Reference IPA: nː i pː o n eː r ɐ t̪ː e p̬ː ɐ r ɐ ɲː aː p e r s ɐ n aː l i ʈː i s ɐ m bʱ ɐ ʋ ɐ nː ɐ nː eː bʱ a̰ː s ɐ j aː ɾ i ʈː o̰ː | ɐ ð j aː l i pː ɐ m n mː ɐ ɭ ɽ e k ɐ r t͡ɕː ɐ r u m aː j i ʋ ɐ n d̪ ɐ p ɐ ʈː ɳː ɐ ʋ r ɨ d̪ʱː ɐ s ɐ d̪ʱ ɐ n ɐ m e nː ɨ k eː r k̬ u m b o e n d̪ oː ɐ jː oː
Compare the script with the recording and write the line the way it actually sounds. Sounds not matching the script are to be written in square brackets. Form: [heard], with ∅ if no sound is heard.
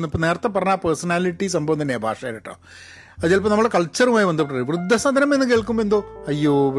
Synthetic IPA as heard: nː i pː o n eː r ɐ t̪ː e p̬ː ɐ r ɐ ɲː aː p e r s ɐ n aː l i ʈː i s ɐ m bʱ ɐ ʋ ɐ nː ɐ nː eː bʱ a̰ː [ʂ] ɐ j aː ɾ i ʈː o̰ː | ɐ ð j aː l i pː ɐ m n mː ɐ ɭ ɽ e k ɐ [ɭ] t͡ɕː ɐ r u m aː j i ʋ ɐ n d̪ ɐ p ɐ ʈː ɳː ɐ ʋ r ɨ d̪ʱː ɐ s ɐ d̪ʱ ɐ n ɐ m e nː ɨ k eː [ɭ] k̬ u m b o e n d̪ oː ɐ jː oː